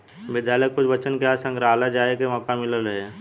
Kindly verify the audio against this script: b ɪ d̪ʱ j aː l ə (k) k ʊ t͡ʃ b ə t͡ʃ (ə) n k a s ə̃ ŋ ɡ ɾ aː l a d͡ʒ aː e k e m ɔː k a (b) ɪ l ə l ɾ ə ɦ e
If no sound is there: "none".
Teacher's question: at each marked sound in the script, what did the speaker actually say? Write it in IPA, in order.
k, ə, m

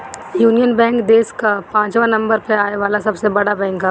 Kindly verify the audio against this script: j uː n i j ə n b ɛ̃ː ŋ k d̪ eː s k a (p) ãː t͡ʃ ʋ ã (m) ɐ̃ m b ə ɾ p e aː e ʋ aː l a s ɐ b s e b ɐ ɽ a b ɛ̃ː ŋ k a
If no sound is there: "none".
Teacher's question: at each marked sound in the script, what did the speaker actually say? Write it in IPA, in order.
p, n

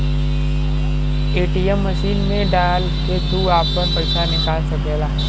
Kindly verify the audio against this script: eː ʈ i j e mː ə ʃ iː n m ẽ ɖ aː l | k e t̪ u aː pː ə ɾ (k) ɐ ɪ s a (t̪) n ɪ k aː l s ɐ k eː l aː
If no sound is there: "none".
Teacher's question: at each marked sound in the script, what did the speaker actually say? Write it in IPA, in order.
p, none

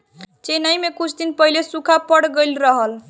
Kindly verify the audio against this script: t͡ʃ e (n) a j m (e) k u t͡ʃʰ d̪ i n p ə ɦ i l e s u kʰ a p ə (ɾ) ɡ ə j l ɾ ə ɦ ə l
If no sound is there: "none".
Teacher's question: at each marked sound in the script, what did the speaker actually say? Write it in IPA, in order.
n, e, ɽ

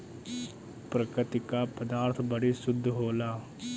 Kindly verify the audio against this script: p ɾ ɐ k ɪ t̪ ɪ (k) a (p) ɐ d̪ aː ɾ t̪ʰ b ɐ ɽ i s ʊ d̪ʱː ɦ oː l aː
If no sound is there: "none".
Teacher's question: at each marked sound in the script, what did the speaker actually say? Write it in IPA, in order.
k, p

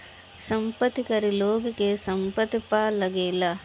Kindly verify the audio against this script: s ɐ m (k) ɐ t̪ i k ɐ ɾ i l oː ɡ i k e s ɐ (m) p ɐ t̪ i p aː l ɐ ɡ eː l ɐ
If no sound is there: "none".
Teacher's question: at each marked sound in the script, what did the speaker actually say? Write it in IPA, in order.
p, m

